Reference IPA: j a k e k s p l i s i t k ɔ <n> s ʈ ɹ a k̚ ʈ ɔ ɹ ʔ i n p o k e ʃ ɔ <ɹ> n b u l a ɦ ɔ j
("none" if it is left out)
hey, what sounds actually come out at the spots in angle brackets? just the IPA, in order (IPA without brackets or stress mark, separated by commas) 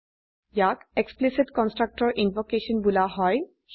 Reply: n, none